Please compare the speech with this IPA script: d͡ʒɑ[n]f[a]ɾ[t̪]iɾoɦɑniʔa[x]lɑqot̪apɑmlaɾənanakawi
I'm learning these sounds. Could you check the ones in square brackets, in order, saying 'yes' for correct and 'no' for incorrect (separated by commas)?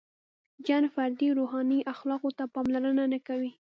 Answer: yes, yes, no, yes